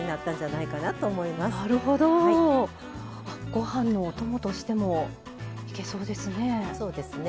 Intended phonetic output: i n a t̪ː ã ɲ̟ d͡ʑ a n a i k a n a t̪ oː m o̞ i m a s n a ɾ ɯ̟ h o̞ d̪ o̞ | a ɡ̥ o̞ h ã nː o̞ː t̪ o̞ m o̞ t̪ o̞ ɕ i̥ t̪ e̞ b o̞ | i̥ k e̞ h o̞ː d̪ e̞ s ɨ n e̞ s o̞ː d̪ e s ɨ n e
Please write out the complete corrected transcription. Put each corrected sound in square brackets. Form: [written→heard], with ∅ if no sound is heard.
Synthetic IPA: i n a t̪ː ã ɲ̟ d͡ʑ a n a i k a n a t̪ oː m o̞ i m a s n a ɾ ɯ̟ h o̞ d̪ o̞ | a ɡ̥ o̞ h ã nː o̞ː t̪ o̞ m o̞ t̪ o̞ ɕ i̥ t̪ e̞ [b→m] o̞ | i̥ k e̞ [h→s] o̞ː d̪ e̞ s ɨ n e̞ s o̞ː d̪ e s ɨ n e